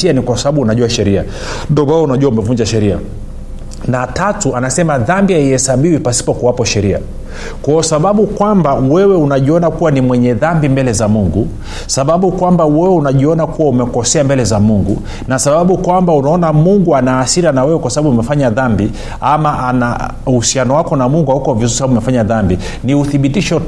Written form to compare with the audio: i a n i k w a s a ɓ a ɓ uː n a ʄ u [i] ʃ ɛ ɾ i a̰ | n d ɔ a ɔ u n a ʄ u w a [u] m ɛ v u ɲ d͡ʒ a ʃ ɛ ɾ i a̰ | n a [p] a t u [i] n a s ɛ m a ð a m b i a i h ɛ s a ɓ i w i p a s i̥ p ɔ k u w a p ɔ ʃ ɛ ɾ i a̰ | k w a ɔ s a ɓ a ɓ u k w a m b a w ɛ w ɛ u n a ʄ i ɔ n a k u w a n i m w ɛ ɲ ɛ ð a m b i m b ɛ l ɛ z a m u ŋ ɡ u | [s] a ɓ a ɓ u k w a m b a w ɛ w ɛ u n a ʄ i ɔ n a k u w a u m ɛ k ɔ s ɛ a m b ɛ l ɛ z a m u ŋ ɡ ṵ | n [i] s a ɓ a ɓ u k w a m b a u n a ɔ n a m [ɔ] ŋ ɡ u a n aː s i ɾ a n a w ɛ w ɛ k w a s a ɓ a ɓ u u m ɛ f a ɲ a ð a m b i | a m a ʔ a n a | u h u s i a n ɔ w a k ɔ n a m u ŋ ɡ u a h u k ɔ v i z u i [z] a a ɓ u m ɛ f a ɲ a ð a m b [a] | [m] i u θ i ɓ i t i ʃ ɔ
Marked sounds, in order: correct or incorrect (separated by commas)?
incorrect, correct, incorrect, incorrect, correct, incorrect, incorrect, incorrect, incorrect, incorrect